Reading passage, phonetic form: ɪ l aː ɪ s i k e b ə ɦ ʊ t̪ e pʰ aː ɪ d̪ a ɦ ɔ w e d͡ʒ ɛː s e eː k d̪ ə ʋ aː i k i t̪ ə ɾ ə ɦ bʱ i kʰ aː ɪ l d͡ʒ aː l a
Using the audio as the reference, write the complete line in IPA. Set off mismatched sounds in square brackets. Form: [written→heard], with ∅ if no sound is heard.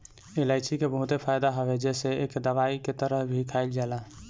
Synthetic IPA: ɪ l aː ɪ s i k e b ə ɦ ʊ t̪ e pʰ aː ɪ d̪ a ɦ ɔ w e d͡ʒ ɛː s e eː k d̪ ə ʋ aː i k [i→e] t̪ ə ɾ ə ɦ bʱ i kʰ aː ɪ l d͡ʒ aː l a

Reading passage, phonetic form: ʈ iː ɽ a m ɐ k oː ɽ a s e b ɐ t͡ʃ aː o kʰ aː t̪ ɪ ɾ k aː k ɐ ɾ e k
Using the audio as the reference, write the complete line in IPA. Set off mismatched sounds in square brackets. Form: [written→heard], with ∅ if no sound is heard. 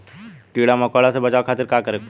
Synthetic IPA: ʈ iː ɽ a m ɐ k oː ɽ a s e b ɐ t͡ʃ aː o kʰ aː t̪ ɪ ɾ k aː k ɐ ɾ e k

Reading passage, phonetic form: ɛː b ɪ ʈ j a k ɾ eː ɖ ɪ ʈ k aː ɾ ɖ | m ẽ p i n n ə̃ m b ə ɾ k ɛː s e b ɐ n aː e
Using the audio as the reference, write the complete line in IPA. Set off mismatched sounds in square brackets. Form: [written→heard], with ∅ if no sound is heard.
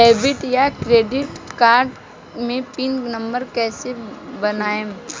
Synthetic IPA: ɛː b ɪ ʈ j a k ɾ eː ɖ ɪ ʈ k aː ɾ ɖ | m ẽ p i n n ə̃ m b ə ɾ k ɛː s e b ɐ n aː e

